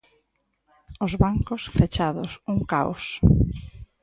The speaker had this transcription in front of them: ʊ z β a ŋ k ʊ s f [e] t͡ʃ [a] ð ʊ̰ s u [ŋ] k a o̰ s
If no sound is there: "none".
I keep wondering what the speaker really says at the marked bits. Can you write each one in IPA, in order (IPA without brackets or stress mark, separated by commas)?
e, a, ŋ